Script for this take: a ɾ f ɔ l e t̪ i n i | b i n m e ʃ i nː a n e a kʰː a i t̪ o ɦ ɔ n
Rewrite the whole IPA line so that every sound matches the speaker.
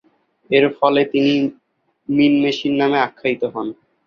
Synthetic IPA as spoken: e ɾ f ɔ l e t̪ i n i | m i n m e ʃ i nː a m e a kʰː a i t̪ o ɦ ɔ n